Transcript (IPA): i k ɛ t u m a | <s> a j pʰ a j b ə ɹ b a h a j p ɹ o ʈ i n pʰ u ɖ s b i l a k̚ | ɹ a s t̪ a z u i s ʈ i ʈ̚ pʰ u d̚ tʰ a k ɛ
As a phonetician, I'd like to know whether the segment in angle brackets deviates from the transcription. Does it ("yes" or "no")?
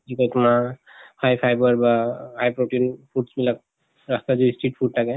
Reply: yes